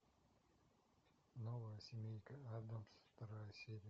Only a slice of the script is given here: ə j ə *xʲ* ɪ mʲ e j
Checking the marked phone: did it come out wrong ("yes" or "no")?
yes